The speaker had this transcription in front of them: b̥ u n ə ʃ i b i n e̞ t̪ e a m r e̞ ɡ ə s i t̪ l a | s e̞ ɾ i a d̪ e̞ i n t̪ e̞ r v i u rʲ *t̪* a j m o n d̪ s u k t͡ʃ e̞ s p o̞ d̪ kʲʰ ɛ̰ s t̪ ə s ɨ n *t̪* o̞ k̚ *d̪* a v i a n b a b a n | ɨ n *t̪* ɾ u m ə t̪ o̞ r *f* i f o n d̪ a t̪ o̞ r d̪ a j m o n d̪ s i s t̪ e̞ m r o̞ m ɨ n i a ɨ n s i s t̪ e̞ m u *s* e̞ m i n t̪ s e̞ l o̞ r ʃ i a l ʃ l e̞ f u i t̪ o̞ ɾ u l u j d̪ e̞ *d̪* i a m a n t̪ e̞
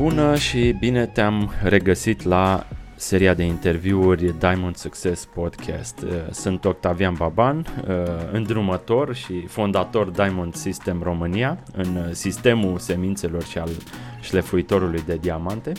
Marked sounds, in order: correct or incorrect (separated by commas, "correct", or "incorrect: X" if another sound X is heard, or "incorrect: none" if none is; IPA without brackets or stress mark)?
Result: incorrect: d̪, correct, incorrect: t̪, incorrect: d̪, incorrect: ʃ, correct, correct